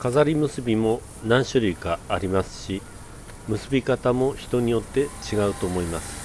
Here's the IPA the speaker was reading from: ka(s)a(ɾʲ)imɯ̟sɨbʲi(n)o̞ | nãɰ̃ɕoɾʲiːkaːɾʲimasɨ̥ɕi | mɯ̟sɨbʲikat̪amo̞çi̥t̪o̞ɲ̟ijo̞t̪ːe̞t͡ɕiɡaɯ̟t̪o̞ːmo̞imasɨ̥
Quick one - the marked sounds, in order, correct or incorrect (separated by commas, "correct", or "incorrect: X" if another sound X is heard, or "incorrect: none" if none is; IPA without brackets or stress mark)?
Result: incorrect: z, correct, incorrect: m